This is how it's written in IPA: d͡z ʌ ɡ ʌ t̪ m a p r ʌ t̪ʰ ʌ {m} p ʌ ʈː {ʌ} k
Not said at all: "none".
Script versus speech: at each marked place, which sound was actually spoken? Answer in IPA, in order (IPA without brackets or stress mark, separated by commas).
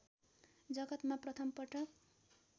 m, ʌ